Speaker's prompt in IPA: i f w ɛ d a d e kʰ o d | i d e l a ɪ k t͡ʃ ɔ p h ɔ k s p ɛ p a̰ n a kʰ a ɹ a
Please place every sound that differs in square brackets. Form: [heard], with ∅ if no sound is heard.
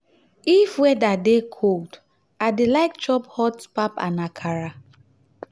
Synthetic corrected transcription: i f w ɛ d a d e kʰ o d | [a] d e l a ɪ k t͡ʃ ɔ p h ɔ [t] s p [a] p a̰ n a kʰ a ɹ a